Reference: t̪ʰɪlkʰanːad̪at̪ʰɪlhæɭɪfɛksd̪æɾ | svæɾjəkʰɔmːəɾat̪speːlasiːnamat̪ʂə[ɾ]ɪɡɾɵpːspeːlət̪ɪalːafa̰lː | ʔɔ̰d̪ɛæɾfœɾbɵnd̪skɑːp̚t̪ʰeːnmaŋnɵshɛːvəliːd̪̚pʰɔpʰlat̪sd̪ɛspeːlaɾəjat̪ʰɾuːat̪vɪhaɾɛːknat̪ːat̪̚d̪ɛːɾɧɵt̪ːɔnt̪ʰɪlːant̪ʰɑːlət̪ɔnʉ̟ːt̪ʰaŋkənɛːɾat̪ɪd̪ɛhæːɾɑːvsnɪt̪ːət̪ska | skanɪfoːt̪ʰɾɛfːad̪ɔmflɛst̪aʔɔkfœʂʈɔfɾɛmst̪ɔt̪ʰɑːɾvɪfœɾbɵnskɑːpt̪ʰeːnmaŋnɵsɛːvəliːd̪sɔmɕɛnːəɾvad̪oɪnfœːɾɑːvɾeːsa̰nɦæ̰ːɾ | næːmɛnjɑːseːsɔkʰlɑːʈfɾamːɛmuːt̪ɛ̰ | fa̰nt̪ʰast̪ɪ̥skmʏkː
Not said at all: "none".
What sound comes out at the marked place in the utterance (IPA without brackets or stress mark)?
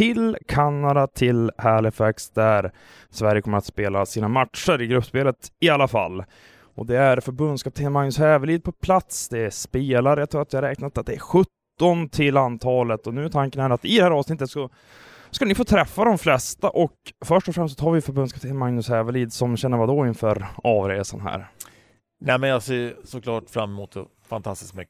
ɾ